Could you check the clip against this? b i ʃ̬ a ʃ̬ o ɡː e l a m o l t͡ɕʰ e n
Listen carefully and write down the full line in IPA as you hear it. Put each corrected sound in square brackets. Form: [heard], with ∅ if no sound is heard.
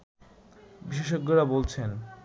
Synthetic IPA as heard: b i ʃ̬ [e] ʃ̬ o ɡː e [ɾ] a [b] o l t͡ɕʰ e n

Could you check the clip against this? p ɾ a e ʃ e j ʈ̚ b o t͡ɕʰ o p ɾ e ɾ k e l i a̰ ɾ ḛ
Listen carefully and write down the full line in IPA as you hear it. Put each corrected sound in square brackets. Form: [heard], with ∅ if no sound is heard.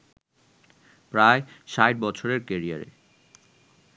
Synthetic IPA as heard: p ɾ a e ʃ [a] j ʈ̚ b [ɔ] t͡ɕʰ o [∅] ɾ e ɾ k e [ɾ] i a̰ ɾ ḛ

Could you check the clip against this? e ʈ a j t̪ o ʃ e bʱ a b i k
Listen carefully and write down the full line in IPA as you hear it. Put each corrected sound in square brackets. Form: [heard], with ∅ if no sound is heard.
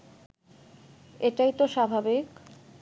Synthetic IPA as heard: e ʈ a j t̪ o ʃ [a] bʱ a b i k

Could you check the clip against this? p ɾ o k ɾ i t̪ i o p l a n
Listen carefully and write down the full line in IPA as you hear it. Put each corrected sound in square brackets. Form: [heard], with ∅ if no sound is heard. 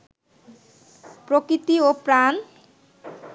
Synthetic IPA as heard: p ɾ o k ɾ i t̪ i o p [ɾ] a n

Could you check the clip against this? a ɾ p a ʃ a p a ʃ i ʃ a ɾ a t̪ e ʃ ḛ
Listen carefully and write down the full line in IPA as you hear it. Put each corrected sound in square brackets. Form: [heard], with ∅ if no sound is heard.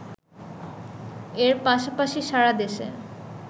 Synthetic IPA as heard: [e] ɾ p a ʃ a p a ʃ i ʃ a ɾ a [d̪] e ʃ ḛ

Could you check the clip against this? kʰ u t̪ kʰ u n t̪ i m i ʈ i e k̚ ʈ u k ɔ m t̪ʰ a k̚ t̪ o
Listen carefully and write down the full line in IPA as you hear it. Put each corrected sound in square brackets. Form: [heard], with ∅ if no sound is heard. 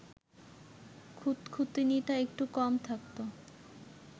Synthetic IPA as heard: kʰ u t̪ kʰ u [∅] t̪ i [n] i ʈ [a] e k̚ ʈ u k ɔ m t̪ʰ a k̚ t̪ o

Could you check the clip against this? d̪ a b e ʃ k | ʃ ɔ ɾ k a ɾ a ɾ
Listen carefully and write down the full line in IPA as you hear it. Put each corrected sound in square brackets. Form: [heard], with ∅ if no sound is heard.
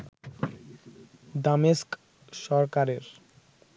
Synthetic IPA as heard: d̪ a [m] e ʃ k | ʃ ɔ ɾ k a ɾ [e] ɾ

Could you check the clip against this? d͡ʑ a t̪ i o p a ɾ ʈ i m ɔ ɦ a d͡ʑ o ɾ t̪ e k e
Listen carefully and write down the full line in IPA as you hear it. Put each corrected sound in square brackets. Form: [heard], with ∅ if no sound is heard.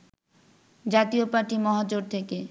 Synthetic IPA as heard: d͡ʑ a t̪ i o p a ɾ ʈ i m ɔ ɦ a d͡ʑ o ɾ [t̪ʰ] e k e

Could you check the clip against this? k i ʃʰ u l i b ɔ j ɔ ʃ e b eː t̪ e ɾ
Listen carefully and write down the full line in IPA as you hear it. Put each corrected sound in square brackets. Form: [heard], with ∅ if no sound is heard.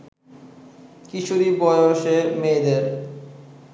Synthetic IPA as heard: k i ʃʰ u [ɾ] i b ɔ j [o] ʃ e [m] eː [d̪] e ɾ

